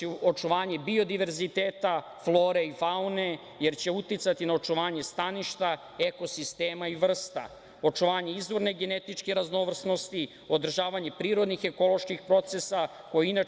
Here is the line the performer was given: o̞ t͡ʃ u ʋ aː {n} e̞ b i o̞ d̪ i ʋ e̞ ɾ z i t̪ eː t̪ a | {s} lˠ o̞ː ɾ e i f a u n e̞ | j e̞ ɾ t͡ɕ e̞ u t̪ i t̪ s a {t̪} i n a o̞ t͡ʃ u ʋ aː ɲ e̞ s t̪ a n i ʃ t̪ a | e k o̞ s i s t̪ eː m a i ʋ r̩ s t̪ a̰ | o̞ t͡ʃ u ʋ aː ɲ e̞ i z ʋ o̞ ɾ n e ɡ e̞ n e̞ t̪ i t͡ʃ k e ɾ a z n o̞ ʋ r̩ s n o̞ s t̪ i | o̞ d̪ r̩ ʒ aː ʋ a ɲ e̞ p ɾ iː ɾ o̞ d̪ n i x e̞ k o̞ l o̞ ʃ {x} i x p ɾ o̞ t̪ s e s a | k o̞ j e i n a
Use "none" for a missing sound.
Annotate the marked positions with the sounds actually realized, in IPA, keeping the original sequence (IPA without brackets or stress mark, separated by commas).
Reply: ɲ, f, t̪, k